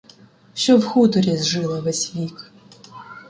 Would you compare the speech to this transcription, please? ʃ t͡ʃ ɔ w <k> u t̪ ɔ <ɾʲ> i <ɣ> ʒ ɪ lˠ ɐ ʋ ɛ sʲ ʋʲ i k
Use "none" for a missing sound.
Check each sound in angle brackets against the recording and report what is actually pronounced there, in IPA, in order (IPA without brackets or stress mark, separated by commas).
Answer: x, ɾʲ, z